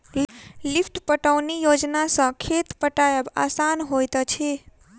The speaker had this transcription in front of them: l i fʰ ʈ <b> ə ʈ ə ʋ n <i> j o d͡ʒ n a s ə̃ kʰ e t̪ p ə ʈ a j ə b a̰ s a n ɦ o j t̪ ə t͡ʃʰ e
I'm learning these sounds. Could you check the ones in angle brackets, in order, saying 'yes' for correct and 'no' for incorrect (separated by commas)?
no, yes